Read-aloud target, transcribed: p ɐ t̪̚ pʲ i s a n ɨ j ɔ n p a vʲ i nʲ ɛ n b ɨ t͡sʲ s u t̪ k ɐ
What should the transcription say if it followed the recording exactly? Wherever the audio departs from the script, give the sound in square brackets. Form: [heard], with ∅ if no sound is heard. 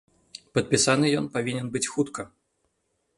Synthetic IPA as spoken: p ɐ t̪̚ pʲ i s a n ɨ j ɔ n p a vʲ i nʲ ɛ n b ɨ t͡sʲ [x] u t̪ k ɐ